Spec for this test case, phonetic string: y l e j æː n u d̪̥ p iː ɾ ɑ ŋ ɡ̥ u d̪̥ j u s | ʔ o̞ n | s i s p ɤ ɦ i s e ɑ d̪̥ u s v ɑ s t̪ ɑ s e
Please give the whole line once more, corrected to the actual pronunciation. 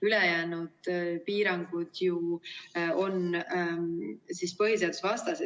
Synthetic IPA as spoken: y l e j æː n u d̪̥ p iː ɾ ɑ ŋ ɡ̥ u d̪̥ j u | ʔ o̞ n | s i s p ɤ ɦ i s e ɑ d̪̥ u s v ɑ s t̪ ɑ s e